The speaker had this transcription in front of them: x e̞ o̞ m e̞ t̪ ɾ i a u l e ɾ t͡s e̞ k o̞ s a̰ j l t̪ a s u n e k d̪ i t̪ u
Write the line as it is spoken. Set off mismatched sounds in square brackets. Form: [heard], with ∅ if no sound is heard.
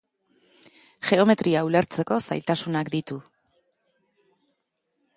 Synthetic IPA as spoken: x e̞ o̞ m e̞ t̪ ɾ i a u l e ɾ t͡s e̞ k o̞ s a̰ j l t̪ a s u n [a] k d̪ i t̪ u